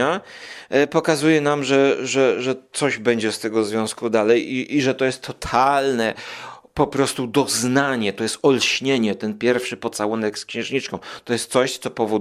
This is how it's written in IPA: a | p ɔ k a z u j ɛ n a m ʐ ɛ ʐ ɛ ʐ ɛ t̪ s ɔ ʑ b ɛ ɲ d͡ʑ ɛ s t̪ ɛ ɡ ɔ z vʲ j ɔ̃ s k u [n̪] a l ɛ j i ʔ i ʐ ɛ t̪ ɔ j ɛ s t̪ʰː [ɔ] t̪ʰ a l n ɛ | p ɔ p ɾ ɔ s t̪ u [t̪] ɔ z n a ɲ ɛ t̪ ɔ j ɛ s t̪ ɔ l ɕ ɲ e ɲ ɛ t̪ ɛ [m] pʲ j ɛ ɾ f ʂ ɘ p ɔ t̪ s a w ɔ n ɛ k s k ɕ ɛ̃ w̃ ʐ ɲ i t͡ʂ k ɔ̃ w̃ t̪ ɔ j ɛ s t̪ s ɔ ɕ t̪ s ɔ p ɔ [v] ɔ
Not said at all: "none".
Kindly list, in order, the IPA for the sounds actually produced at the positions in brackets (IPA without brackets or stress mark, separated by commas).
d̪, ɔ, d̪, n, v